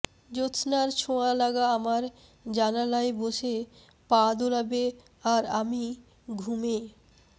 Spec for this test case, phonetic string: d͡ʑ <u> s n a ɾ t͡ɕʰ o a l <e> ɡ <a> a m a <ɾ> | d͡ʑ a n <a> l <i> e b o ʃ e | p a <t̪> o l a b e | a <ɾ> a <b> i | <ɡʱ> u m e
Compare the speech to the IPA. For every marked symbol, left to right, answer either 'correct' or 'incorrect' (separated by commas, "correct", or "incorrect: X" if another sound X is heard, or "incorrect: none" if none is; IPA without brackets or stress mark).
incorrect: o, incorrect: a, correct, correct, correct, incorrect: a, incorrect: d̪, correct, incorrect: m, correct